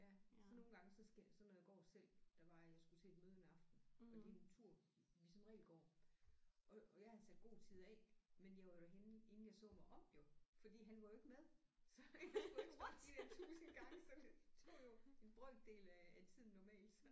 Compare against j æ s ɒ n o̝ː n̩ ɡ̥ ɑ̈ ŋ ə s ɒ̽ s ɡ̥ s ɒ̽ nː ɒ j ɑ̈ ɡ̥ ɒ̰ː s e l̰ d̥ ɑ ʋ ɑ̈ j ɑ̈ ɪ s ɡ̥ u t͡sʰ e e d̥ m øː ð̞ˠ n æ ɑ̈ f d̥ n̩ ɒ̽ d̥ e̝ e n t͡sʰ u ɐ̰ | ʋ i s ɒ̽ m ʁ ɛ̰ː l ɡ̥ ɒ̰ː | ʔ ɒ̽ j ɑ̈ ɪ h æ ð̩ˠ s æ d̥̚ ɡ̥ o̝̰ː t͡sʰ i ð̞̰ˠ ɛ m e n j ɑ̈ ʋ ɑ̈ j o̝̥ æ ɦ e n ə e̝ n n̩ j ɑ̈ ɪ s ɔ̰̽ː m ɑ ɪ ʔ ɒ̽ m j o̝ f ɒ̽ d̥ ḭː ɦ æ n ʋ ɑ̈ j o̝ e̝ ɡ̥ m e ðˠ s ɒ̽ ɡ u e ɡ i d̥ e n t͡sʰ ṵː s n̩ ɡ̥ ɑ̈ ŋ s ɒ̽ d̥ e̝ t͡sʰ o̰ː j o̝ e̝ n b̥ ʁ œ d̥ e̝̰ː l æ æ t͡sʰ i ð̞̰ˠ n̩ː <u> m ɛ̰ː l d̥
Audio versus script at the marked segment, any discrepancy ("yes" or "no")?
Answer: yes